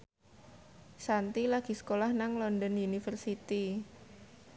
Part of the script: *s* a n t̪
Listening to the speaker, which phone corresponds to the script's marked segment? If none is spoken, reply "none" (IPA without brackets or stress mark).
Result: s